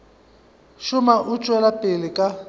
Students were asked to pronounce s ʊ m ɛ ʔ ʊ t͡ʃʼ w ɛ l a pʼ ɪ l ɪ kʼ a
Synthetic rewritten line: ʃ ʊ m a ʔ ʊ t͡ʃʼ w ɛ l a pʼ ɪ l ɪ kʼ a